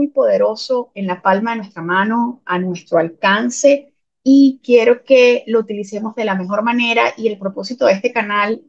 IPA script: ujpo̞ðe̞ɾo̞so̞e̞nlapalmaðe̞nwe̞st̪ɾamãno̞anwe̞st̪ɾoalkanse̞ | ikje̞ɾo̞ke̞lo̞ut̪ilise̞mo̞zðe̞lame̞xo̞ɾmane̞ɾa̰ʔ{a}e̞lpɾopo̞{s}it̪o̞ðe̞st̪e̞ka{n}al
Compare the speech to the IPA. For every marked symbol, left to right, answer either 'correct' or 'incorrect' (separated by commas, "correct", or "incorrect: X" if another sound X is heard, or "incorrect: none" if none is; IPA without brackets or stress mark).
incorrect: i, correct, correct